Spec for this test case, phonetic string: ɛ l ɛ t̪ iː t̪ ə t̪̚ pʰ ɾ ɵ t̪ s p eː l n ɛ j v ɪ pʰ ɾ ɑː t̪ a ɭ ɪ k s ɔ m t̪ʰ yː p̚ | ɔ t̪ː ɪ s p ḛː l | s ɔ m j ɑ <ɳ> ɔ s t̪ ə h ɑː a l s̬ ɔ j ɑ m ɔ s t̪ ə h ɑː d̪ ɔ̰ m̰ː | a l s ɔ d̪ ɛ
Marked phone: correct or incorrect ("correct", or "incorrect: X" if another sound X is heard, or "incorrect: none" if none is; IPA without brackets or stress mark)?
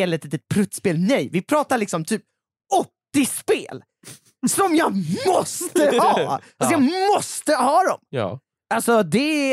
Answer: incorrect: m